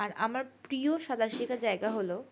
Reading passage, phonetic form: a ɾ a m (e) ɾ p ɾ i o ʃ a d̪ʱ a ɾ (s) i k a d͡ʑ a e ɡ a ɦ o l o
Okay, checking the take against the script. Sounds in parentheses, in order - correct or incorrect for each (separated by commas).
incorrect, incorrect